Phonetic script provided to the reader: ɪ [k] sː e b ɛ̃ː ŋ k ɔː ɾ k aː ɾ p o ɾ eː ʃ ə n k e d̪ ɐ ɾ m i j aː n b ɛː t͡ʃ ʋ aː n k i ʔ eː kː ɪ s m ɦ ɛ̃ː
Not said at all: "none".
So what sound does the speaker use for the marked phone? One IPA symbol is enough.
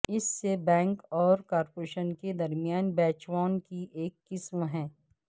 none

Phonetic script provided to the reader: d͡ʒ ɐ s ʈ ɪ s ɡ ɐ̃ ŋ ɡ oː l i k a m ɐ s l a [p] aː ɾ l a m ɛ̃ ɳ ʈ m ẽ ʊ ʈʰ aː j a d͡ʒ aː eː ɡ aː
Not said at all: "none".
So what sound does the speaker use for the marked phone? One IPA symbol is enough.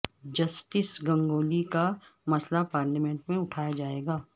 p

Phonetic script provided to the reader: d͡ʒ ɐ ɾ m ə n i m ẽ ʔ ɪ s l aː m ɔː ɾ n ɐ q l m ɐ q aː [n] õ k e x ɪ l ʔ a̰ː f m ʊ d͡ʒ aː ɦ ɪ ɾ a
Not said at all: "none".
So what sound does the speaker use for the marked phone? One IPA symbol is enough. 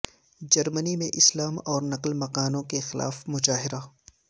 n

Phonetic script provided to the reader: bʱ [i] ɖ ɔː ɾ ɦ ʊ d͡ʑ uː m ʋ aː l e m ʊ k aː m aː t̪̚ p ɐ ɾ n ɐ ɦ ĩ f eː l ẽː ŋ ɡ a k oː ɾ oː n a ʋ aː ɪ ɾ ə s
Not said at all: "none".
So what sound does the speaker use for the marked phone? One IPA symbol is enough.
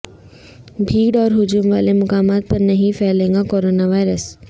iː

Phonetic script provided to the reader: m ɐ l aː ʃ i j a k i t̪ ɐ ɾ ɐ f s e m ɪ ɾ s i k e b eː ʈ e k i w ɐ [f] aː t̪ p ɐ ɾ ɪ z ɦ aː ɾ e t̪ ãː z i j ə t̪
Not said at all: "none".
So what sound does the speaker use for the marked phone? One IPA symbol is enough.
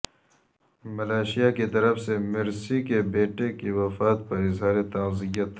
f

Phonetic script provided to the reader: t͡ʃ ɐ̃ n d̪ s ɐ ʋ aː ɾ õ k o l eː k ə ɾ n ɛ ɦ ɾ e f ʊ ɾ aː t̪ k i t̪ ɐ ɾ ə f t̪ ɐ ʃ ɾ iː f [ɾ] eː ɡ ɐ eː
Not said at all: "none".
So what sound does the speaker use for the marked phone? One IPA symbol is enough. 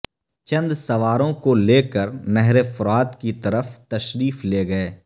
l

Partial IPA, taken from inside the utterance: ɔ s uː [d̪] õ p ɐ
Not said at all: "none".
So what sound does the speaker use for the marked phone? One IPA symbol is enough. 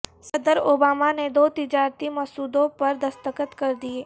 d̪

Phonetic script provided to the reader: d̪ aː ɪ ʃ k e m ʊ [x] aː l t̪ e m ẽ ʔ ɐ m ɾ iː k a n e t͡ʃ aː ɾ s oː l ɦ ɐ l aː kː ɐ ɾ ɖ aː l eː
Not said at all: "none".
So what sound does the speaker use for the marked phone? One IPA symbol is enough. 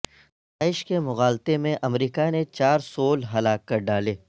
ɣ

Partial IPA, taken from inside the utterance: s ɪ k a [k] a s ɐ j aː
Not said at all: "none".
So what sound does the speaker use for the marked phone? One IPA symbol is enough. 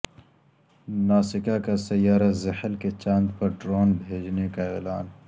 k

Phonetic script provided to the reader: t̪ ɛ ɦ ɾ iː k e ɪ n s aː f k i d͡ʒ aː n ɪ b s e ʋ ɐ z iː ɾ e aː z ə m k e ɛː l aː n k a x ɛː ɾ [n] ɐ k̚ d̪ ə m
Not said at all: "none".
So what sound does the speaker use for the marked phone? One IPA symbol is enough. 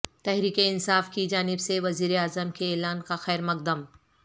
m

